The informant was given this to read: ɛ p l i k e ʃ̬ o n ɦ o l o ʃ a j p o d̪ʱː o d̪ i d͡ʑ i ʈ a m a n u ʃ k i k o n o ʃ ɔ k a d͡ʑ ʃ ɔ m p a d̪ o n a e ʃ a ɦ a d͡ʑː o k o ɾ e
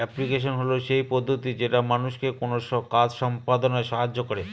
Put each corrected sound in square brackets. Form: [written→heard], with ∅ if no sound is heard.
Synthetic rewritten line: ɛ p l i k e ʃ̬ o n ɦ o l o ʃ [a→e] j p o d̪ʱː o [d̪→t̪] i d͡ʑ [i→e] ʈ a m a n u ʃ k [i→e] k o n o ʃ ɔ k a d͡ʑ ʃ ɔ m p a d̪ o n a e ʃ a ɦ a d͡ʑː o k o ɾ e